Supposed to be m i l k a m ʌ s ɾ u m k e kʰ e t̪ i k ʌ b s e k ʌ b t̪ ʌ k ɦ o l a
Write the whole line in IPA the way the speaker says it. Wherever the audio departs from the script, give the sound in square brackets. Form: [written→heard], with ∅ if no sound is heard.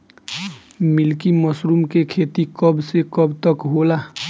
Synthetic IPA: m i l k [a→i] m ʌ s ɾ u m k e kʰ e t̪ i k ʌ b s e k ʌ b t̪ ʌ k ɦ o l a